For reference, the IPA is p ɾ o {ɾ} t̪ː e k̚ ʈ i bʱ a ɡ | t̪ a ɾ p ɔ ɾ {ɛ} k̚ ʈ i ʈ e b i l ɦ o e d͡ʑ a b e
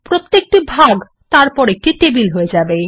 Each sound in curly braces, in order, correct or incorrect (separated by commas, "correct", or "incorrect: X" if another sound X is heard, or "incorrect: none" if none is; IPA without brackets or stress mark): incorrect: none, incorrect: e